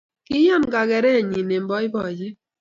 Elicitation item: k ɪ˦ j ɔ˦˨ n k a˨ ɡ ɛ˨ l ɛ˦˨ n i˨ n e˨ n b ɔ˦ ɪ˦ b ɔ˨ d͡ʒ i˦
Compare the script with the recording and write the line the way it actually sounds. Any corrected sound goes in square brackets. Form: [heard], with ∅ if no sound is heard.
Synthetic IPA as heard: k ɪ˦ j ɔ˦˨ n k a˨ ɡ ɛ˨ [ɾ] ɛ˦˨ [ɲ] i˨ n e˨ [m] b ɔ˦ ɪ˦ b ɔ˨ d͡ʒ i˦